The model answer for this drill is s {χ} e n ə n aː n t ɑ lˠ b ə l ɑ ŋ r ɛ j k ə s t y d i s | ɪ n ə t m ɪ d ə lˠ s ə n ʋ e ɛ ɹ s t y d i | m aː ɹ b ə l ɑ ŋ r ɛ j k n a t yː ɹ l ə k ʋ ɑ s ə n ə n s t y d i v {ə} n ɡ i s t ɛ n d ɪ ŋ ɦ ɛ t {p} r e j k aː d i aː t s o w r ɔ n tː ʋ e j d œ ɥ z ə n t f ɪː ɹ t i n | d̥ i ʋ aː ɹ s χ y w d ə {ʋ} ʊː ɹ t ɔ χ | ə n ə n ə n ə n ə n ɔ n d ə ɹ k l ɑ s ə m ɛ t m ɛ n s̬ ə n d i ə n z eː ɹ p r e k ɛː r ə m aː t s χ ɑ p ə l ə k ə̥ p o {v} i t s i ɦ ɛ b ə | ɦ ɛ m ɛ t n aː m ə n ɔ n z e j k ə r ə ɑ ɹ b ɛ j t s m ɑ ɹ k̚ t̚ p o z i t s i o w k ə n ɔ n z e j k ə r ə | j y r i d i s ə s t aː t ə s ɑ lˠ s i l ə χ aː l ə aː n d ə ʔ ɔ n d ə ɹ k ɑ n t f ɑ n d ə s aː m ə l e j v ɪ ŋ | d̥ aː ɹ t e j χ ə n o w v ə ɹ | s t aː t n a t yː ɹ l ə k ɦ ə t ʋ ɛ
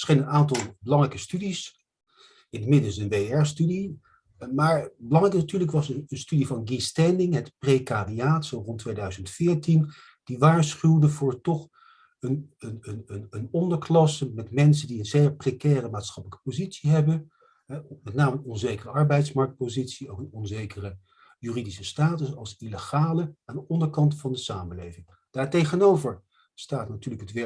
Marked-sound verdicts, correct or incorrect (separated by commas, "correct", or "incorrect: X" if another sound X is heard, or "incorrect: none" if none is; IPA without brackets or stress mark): correct, incorrect: ɑ, correct, incorrect: v, incorrect: z